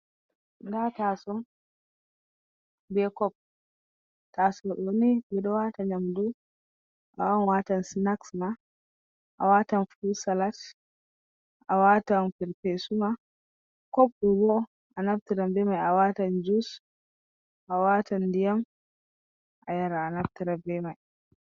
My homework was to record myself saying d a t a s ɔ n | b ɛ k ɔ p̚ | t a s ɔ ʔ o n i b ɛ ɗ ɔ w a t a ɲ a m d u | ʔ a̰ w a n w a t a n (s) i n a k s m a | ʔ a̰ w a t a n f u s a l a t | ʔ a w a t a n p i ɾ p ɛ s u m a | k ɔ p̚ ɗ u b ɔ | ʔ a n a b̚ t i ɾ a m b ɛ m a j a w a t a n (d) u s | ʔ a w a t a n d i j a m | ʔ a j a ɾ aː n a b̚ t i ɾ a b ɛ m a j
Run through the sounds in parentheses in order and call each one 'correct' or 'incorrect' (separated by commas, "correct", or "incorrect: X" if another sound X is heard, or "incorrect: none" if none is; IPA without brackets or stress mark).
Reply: correct, incorrect: d͡ʒ